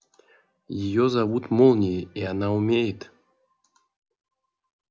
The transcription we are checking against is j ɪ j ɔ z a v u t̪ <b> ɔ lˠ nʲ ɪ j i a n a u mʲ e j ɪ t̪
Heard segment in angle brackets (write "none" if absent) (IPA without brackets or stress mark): m